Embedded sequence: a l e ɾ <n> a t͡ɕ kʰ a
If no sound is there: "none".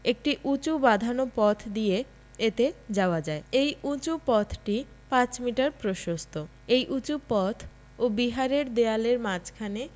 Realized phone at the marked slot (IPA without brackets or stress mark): m